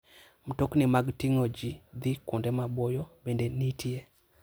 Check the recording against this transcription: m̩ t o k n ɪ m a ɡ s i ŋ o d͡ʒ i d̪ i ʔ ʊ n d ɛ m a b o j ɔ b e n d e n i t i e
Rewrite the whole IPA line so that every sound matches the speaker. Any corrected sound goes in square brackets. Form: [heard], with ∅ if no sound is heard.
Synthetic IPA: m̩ t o k n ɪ m a ɡ [t] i ŋ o d͡ʒ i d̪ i [k] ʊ n d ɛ m a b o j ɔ b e n d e n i t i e